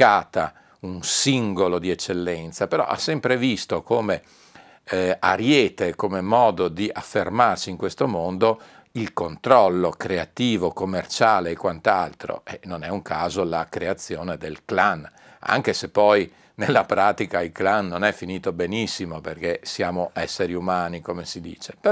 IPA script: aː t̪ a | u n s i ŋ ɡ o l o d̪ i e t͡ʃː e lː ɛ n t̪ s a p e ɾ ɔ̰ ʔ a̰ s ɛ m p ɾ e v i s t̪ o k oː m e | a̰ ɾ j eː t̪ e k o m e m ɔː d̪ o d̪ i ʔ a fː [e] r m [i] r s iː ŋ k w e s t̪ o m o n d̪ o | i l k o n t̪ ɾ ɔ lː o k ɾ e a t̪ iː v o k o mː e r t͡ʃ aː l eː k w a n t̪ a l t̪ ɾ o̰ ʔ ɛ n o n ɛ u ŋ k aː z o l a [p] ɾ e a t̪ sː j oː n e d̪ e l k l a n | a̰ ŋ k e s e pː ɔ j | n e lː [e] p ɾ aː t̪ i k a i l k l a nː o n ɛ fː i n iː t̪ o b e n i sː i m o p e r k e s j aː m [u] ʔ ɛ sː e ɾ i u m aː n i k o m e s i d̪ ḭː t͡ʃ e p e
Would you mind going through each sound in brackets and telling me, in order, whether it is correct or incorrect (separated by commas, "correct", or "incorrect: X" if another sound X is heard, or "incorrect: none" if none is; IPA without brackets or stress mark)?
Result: correct, incorrect: a, incorrect: k, incorrect: a, incorrect: o